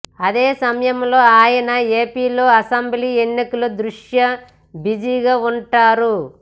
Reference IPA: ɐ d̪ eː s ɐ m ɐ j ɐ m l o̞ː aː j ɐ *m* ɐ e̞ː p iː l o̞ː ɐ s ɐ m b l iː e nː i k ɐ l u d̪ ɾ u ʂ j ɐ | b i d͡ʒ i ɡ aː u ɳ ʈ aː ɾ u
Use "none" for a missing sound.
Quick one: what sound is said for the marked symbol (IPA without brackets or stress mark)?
n